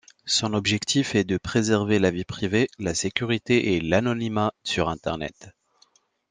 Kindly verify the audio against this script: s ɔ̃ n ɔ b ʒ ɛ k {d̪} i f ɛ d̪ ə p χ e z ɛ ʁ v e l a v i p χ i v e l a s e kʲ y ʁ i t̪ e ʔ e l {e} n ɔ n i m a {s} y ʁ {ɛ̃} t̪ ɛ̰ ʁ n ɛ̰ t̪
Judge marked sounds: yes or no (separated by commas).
no, no, yes, yes